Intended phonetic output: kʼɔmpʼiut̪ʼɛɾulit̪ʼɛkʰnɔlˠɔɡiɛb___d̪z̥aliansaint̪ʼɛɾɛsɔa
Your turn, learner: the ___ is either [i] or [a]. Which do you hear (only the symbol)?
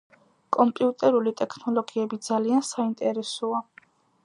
i